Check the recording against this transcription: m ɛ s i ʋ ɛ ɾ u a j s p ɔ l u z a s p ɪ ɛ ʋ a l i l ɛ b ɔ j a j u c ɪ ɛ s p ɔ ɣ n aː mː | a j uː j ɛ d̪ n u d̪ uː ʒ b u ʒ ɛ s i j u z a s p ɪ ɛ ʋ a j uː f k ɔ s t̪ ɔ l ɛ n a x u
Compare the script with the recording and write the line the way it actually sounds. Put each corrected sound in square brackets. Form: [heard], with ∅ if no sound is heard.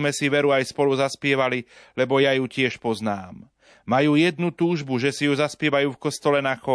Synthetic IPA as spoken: m ɛ s i ʋ ɛ ɾ u a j s p ɔ l u z a s p ɪ ɛ ʋ a l i l ɛ b ɔ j a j u c ɪ ɛ [ʃ] p ɔ [z] n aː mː | a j uː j ɛ d̪ n u [t̪] uː ʒ b u ʒ ɛ s i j u z a s p ɪ ɛ ʋ a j uː f k ɔ s t̪ ɔ l ɛ n a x [ɔ]